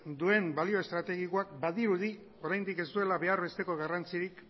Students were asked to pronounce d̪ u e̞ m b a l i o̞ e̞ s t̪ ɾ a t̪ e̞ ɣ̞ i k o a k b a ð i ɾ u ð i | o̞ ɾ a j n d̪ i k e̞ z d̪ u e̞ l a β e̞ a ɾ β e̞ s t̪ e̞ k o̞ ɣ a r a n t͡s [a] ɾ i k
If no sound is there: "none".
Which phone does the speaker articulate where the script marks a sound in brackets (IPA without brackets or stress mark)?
i